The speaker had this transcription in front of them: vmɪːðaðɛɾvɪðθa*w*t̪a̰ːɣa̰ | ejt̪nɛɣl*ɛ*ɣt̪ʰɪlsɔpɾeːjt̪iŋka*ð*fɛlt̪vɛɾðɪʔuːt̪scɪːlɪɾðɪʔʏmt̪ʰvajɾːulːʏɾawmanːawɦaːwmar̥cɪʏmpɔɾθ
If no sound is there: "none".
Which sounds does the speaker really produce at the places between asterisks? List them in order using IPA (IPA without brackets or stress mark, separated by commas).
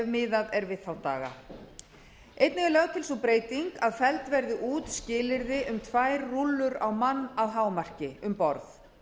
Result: w, œ, ð